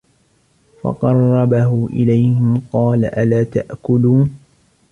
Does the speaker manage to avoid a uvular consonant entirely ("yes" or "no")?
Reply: no